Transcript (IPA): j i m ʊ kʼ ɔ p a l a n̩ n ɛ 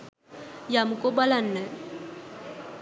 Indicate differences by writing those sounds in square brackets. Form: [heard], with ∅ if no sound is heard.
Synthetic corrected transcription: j [a] m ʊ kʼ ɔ [b] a l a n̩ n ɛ